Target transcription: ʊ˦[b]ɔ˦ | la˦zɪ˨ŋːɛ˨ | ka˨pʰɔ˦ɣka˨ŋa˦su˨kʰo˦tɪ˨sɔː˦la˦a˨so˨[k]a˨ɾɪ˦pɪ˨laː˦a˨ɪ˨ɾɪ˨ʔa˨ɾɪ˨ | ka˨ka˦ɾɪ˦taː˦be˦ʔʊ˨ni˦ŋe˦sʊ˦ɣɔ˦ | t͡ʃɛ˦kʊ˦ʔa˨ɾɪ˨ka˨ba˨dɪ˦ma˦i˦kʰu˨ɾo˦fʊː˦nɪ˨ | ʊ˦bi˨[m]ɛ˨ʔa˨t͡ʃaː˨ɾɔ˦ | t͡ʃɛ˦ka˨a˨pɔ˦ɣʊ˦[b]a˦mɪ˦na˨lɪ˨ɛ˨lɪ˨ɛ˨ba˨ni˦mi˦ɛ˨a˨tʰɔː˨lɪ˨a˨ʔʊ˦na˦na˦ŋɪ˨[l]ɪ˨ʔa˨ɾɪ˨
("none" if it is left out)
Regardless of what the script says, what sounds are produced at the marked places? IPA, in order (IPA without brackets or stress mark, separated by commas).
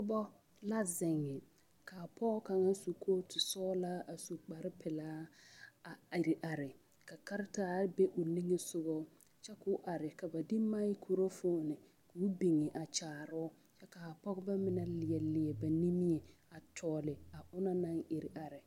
b, k͡p, ŋ, b, ɾ